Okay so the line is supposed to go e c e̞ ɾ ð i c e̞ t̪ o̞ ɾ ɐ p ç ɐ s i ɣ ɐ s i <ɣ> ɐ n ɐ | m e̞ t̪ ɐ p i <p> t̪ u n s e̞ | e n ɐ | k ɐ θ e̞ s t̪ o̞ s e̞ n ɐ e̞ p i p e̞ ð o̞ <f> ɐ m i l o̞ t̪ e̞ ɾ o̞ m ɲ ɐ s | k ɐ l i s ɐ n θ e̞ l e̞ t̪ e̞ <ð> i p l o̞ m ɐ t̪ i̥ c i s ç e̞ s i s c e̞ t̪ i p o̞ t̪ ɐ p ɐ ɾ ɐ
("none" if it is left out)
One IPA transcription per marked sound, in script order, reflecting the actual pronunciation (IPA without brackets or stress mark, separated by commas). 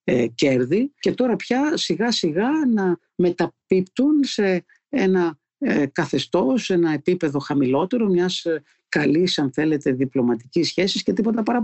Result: ɣ, p, x, ð